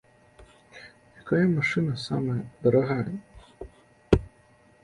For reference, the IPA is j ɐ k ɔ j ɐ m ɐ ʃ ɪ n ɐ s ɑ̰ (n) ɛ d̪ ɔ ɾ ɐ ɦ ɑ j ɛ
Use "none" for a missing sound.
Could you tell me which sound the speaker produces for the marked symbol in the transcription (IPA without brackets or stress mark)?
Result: m